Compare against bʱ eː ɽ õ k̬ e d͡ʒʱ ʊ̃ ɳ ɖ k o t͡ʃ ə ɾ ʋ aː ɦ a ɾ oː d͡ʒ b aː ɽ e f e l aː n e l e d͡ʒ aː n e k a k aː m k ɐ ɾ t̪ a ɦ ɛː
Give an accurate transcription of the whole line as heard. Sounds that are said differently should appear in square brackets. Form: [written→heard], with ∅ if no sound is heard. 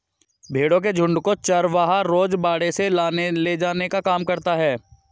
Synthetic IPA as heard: bʱ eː ɽ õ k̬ e d͡ʒʱ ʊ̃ ɳ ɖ k o t͡ʃ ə ɾ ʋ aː ɦ a ɾ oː d͡ʒ b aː ɽ e [f→s] e l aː n e l e d͡ʒ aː n e k a k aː m k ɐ ɾ t̪ a ɦ ɛː